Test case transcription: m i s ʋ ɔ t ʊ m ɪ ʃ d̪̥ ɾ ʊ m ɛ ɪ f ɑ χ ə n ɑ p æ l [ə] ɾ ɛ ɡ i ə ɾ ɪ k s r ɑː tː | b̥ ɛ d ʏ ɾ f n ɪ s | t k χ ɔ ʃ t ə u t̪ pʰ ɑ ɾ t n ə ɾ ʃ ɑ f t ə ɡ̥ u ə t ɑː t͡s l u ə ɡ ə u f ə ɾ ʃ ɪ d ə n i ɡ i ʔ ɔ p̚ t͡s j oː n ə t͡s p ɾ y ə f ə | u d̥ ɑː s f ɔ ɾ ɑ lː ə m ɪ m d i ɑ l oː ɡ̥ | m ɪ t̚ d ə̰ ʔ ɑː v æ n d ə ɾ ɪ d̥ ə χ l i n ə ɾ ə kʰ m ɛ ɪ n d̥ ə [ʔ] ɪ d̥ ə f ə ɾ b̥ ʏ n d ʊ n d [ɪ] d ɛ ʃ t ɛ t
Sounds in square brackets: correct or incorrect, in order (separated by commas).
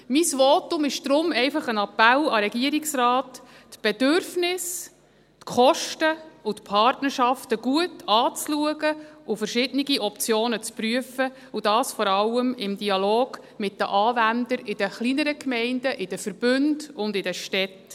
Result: incorrect, correct, correct